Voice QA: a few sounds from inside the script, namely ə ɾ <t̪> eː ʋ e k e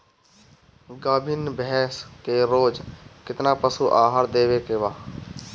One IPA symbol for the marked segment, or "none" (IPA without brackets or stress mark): d̪